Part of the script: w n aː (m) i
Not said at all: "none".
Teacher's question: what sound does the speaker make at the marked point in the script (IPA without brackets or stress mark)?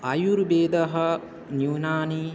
n